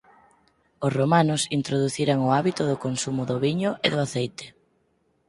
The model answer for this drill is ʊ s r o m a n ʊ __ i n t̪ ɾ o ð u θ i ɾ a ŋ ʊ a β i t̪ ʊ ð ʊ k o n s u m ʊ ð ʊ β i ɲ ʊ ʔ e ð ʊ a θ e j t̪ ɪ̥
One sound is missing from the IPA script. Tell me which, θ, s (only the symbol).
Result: s